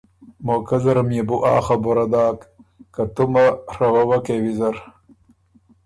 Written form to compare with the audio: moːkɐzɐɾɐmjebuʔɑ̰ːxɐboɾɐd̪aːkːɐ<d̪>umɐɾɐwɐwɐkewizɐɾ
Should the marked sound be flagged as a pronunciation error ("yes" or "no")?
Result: yes